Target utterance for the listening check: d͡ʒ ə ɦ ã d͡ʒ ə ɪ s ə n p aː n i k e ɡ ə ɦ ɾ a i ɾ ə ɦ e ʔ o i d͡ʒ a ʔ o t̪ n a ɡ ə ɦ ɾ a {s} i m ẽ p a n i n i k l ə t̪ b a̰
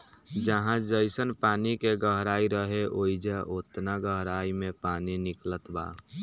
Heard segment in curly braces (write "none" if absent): none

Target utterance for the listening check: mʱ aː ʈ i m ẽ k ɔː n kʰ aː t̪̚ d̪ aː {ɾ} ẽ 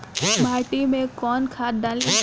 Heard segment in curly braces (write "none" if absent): l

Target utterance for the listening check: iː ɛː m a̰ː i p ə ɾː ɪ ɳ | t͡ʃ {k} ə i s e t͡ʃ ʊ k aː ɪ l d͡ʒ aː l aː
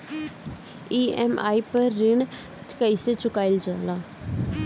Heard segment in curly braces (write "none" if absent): k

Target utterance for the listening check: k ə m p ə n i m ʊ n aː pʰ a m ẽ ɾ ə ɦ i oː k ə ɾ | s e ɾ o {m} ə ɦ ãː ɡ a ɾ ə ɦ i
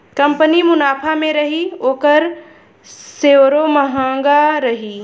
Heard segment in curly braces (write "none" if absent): m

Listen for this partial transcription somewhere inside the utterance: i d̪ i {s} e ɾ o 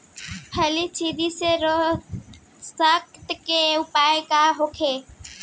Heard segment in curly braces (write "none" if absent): s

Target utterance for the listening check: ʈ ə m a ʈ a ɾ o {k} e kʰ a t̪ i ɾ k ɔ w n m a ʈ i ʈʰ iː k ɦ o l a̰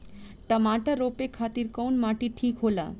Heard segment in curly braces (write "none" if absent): p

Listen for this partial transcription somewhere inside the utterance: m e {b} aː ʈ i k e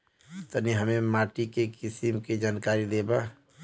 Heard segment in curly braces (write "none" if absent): m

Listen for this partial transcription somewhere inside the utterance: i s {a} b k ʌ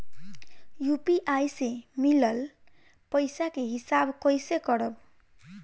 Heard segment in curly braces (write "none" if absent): a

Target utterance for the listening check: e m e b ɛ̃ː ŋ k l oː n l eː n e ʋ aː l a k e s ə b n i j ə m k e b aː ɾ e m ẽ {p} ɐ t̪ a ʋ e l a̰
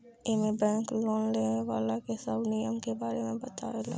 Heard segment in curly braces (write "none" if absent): b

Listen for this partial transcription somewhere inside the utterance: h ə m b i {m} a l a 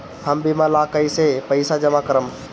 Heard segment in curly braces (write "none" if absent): m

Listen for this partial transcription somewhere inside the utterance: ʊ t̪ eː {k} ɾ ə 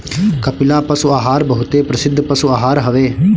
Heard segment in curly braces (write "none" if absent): p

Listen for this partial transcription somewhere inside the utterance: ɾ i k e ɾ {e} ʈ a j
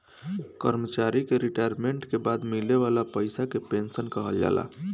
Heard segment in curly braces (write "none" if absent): i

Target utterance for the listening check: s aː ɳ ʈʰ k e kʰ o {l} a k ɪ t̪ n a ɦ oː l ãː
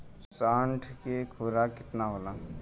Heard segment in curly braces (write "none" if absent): ɾ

